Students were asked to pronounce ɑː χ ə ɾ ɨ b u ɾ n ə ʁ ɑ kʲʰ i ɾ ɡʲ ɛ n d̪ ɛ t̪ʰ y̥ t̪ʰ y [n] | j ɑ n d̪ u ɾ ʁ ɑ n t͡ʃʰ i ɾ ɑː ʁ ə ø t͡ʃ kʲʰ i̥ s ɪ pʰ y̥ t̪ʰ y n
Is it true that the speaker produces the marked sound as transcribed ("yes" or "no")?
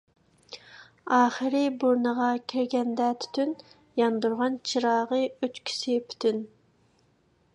yes